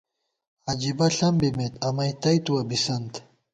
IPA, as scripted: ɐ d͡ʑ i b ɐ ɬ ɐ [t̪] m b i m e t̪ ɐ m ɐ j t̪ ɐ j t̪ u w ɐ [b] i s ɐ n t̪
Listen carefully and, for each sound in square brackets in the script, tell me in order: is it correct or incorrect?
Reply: incorrect, correct

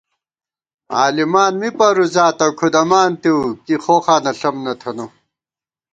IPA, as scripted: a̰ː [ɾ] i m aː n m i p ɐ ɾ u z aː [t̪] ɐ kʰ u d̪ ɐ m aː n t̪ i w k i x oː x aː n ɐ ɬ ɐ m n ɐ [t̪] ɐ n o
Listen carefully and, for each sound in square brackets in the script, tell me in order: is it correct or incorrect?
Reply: incorrect, correct, incorrect

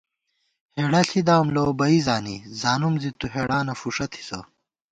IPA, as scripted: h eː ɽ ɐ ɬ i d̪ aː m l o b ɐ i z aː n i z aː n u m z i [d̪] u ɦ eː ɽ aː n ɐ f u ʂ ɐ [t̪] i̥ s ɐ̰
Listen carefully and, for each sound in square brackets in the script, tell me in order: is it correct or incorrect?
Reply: incorrect, incorrect

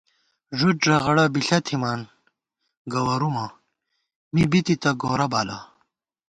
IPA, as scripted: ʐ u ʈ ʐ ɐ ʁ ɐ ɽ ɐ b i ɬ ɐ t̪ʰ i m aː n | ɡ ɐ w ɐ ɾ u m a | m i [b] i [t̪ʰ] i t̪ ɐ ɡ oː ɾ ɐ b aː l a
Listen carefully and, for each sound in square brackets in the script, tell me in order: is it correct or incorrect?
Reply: correct, incorrect

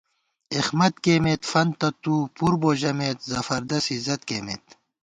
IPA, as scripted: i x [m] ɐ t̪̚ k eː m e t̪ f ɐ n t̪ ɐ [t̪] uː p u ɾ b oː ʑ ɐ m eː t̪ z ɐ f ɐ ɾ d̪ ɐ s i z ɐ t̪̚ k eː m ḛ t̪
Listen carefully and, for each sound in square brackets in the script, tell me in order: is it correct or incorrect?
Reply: correct, correct

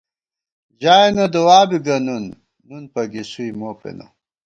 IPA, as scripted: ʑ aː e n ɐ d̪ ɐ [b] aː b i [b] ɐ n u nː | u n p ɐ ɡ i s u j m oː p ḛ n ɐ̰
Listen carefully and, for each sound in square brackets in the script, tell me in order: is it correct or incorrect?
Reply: incorrect, incorrect

